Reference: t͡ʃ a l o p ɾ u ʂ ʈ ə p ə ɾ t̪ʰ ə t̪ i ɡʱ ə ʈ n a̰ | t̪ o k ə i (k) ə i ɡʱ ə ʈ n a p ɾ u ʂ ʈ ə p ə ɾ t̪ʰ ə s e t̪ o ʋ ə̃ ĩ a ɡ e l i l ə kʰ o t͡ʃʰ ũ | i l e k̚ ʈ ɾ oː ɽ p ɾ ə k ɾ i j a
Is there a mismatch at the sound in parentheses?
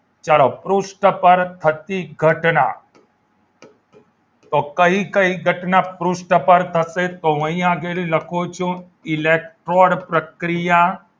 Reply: no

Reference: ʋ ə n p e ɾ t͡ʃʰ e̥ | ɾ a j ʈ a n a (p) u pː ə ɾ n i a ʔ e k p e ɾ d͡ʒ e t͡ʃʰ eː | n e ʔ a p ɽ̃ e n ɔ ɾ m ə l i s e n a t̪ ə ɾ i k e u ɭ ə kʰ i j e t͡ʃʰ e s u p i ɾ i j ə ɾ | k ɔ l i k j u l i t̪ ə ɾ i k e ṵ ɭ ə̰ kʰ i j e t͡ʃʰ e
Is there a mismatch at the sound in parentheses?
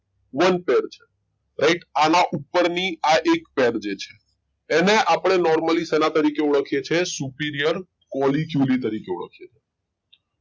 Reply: yes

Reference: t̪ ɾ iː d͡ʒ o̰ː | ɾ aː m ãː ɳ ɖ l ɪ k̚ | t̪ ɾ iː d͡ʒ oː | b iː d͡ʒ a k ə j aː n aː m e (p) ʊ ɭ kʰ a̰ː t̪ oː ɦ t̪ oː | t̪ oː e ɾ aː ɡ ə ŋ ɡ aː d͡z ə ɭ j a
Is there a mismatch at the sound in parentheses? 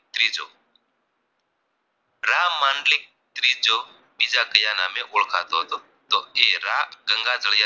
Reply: yes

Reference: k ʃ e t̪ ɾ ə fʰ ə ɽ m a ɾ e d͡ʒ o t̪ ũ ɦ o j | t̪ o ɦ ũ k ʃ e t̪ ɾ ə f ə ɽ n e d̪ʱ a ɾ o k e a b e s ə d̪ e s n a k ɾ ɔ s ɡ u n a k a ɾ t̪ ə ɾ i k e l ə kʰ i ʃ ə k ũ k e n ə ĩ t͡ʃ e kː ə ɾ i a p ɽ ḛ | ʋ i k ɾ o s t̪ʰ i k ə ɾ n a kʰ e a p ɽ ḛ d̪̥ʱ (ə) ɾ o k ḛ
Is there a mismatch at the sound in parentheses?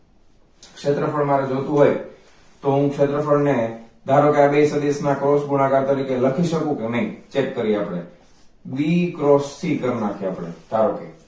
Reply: yes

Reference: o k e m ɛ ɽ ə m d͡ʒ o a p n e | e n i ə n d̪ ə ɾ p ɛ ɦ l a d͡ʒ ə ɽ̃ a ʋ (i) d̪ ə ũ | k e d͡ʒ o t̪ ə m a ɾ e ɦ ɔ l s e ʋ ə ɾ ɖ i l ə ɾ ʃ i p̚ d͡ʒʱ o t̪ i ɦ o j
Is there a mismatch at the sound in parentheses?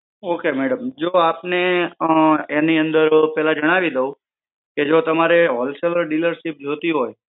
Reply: no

